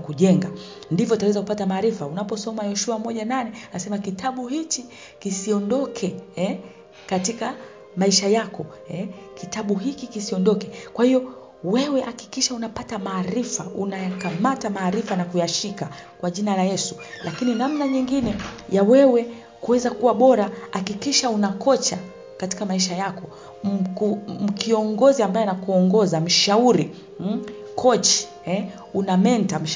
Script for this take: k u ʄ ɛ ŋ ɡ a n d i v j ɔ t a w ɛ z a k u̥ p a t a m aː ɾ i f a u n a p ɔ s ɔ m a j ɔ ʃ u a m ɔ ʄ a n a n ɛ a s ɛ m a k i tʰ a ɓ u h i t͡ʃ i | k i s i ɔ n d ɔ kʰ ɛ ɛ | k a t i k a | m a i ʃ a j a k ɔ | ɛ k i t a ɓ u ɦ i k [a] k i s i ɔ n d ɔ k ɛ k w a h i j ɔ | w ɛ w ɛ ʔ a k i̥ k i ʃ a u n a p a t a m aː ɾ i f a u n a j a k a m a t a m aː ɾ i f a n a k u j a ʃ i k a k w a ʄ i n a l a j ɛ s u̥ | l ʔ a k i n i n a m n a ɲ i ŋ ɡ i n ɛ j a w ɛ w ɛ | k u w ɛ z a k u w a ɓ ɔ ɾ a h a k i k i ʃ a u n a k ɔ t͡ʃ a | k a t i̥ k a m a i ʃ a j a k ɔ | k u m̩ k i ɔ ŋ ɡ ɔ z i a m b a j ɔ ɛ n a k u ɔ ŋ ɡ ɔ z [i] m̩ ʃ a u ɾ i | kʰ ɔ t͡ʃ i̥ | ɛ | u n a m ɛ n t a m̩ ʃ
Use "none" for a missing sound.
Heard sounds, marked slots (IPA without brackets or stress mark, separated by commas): i, a